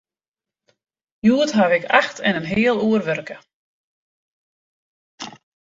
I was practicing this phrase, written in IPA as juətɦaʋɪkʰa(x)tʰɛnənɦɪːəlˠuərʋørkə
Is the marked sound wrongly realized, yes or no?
no